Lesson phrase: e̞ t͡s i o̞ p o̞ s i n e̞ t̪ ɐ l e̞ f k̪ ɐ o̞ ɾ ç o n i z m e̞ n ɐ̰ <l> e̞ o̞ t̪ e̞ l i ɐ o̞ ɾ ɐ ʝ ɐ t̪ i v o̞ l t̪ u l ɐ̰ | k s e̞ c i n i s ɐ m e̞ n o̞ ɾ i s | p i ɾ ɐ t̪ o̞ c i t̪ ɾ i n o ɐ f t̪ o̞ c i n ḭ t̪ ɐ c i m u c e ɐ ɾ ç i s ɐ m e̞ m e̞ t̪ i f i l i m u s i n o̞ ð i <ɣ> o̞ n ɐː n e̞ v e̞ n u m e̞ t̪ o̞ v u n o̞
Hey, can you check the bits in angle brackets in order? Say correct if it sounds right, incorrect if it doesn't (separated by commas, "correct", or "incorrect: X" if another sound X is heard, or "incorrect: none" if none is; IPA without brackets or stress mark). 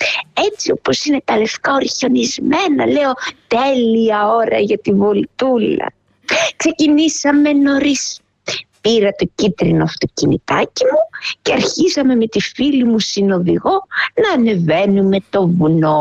correct, correct